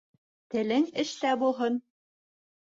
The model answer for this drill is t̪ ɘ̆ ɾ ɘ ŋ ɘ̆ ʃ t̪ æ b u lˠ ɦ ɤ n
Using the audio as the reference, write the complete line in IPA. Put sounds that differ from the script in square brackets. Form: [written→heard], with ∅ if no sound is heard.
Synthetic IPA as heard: t̪ ɘ̆ [ɾ→l] ɘ ŋ ɘ̆ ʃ t̪ æ b u lˠ ɦ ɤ n

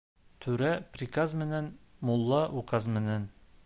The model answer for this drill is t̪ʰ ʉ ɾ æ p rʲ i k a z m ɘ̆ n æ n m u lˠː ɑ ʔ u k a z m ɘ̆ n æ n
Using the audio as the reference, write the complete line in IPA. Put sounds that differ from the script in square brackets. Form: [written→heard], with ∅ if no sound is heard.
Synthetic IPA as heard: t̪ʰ ʉ ɾ æ p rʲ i k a z m ɘ̆ n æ n m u lˠː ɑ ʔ u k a z m ɘ̆ n æ n

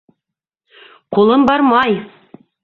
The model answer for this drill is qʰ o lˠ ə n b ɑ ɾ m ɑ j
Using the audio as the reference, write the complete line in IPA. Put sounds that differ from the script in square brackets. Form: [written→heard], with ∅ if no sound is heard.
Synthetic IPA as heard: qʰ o lˠ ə [n→m] b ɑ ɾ m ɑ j

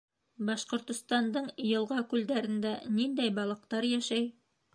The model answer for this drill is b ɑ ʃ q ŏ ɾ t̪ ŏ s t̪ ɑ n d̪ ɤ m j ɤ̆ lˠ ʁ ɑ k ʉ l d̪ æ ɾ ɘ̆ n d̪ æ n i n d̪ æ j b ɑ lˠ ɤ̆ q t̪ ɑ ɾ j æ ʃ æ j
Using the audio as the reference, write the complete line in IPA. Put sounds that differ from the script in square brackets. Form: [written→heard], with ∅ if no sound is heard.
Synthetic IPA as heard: b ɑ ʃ q ŏ ɾ t̪ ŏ s t̪ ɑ n d̪ ɤ [m→ɴ] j ɤ̆ lˠ ʁ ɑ k ʉ l d̪ æ ɾ ɘ̆ n d̪ æ n i n d̪ æ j b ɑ lˠ ɤ̆ q t̪ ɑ ɾ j æ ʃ æ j

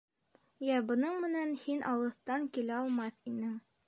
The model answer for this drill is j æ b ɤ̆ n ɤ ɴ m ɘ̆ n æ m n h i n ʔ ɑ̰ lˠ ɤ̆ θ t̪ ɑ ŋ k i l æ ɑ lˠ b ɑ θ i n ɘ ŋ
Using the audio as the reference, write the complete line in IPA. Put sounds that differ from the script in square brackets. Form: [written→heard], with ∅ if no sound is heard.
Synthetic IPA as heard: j æ b ɤ̆ n ɤ ɴ m ɘ̆ n æ [m→∅] n h i n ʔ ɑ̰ lˠ ɤ̆ θ t̪ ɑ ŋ k i l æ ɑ lˠ [b→m] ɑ θ i n ɘ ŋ

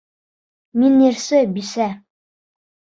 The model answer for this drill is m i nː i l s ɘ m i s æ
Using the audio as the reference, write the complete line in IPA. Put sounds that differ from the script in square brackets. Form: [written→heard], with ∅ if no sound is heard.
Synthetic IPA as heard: m i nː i [l→ɾ] s ɘ [m→b] i s æ

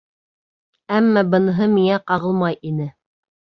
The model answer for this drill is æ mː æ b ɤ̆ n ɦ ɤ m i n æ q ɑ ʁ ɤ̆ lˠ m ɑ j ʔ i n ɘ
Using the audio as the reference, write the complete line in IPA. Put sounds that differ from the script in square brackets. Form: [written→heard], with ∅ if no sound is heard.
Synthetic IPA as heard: æ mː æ b ɤ̆ n ɦ ɤ m i [n→ŋ] æ q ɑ ʁ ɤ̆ lˠ m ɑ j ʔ i n ɘ

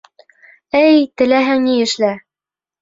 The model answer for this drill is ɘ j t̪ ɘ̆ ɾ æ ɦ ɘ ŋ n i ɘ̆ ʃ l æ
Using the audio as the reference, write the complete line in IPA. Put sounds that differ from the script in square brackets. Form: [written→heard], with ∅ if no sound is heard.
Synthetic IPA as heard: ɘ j t̪ ɘ̆ [ɾ→l] æ ɦ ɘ ŋ n i ɘ̆ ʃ l æ

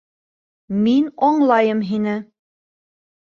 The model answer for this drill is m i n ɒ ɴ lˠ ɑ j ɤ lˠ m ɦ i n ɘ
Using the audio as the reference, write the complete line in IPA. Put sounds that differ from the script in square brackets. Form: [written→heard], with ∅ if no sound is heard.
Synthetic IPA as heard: m i n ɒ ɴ lˠ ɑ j ɤ [lˠ→∅] m ɦ i n ɘ

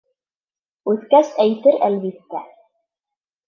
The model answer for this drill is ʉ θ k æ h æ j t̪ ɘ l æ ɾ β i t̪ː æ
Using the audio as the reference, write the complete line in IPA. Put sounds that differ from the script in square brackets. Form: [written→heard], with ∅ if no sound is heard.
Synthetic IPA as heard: ʉ θ k æ [h→s] æ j t̪ ɘ [l→ɾ] æ [ɾ→l] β i t̪ː æ

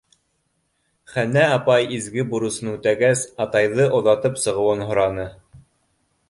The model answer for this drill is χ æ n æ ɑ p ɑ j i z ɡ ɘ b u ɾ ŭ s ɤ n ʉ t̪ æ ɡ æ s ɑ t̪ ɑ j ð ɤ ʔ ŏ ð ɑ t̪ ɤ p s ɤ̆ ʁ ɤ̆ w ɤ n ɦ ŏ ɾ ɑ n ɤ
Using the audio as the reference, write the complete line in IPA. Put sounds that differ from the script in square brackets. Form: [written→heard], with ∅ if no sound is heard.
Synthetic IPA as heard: χ æ n æ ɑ p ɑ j i z ɡ ɘ b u ɾ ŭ s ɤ n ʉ t̪ æ ɡ æ s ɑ t̪ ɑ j ð ɤ ʔ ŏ ð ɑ t̪ ɤ p s ɤ̆ ʁ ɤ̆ w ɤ n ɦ ŏ ɾ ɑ n ɤ

